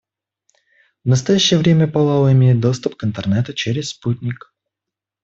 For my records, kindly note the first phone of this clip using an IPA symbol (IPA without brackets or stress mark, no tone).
v